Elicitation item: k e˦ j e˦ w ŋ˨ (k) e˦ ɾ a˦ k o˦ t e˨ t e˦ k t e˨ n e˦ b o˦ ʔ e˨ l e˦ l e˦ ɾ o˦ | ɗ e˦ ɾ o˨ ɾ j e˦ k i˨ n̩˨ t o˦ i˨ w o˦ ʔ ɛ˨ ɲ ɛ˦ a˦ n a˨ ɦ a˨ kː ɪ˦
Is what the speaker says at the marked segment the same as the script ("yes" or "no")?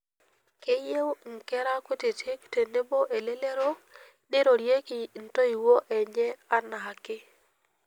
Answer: yes